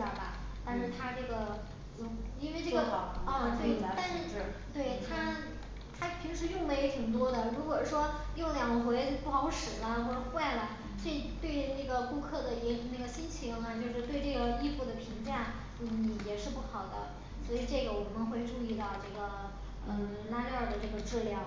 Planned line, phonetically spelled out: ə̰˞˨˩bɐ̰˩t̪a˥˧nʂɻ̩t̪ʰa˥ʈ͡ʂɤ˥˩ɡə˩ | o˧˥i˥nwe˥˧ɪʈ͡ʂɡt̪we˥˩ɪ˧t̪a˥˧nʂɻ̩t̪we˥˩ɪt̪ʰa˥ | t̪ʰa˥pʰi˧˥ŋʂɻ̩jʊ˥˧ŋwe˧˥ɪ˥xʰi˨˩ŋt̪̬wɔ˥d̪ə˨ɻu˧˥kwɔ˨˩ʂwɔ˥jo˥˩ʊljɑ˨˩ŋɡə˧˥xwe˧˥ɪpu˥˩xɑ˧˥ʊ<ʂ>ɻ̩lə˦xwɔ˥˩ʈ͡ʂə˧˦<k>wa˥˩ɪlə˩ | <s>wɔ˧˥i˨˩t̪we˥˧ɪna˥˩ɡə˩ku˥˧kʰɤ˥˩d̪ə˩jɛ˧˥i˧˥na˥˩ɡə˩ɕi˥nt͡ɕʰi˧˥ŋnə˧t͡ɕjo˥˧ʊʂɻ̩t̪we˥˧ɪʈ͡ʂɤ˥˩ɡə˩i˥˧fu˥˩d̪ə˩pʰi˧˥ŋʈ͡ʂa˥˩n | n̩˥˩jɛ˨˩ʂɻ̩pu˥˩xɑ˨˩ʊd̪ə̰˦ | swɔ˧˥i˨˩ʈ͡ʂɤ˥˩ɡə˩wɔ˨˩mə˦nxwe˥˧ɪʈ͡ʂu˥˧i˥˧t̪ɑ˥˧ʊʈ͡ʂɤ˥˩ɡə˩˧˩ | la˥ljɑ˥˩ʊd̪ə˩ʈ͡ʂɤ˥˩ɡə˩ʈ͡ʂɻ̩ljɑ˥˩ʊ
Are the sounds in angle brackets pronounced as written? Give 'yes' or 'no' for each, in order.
yes, no, yes

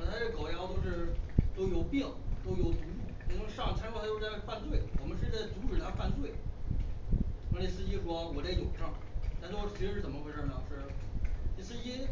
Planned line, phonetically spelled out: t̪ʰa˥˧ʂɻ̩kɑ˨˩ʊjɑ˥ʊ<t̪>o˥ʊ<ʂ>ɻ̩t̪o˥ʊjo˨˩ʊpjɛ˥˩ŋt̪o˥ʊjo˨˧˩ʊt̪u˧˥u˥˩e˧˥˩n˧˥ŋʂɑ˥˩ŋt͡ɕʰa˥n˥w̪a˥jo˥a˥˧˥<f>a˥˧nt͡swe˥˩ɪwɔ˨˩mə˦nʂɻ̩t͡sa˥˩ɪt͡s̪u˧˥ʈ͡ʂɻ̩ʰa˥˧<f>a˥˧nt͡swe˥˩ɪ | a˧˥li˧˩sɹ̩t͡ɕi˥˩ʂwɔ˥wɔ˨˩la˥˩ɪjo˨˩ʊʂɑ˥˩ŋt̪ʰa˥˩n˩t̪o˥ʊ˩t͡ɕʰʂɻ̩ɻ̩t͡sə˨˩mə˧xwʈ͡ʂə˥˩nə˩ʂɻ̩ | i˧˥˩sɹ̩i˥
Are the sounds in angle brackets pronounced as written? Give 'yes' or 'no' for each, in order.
yes, yes, yes, yes

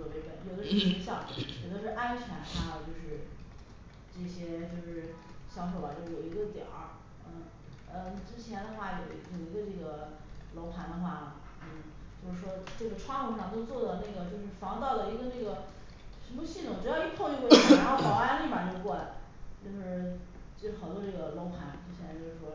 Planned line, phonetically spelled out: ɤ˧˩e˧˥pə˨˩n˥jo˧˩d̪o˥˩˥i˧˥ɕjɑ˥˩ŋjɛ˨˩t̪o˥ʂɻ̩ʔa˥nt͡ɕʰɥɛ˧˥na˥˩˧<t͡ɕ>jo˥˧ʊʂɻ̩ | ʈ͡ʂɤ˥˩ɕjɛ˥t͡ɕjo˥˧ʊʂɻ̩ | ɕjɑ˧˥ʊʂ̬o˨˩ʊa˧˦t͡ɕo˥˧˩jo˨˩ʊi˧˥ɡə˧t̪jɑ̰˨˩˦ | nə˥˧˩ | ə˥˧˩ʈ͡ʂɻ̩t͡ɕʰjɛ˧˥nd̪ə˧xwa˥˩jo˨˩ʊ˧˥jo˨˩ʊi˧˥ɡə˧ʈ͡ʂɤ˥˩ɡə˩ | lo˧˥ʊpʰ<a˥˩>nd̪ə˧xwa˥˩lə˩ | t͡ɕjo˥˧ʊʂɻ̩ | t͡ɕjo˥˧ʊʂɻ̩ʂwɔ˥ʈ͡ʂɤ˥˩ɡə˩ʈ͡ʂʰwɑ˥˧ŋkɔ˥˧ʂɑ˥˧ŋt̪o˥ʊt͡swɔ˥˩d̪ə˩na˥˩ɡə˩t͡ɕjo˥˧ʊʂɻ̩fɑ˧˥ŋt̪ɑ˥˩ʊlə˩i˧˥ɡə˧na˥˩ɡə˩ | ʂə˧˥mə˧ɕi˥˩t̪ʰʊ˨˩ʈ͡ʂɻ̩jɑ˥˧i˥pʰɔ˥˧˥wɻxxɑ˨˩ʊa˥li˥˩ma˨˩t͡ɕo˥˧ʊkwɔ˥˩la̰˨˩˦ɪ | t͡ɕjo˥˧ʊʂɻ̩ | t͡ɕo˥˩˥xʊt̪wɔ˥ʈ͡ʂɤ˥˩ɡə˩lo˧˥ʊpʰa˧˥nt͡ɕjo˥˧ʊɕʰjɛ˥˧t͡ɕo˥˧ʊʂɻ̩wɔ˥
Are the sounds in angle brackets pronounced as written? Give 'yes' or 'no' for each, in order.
yes, no

